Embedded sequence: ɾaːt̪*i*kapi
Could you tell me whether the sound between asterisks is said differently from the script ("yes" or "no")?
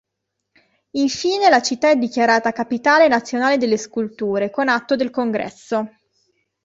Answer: yes